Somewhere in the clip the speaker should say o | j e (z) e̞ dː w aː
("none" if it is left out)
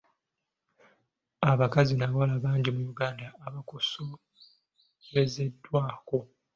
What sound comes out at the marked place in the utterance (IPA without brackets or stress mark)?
z